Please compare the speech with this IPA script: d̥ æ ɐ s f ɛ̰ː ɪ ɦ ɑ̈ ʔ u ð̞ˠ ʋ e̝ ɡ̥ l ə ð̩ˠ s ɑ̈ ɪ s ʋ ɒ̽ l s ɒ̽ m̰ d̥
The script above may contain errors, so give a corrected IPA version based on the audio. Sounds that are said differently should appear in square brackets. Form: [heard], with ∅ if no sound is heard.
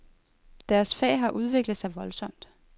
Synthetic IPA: d̥ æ ɐ s f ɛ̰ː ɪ ɦ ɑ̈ ʔ u ð̞ˠ ʋ e̝ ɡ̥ l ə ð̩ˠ s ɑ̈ ɪ [∅] ʋ ɒ̽ l s ɒ̽ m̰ d̥